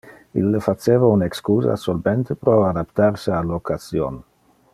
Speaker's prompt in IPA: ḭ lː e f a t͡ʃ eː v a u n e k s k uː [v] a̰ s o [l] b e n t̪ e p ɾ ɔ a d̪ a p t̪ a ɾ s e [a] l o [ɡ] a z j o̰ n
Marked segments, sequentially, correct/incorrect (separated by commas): incorrect, correct, correct, incorrect